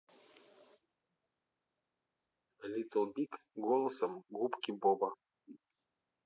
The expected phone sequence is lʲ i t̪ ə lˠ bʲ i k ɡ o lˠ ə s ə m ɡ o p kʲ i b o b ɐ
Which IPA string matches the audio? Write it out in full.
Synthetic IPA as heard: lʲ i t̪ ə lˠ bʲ i k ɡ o lˠ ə s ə m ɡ u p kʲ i b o b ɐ